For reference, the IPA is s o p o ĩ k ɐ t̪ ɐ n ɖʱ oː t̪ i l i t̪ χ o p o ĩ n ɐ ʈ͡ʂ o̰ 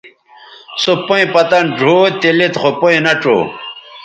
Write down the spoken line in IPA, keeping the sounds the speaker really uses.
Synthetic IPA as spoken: s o p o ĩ p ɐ t̪ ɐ n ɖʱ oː t̪ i l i t̪ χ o p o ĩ n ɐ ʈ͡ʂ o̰